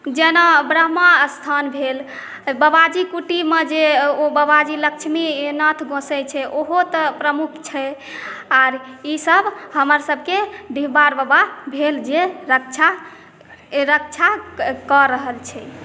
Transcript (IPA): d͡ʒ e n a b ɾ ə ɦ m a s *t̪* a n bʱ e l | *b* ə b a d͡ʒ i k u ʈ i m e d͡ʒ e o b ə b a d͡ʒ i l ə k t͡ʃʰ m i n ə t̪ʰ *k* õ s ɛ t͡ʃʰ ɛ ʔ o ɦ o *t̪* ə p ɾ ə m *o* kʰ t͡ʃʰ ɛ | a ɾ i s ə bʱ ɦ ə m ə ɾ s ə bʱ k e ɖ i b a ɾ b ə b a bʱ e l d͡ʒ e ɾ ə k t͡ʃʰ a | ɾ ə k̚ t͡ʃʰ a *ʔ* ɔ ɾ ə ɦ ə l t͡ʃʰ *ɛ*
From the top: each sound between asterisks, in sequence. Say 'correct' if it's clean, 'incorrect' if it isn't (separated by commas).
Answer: incorrect, correct, incorrect, correct, incorrect, incorrect, correct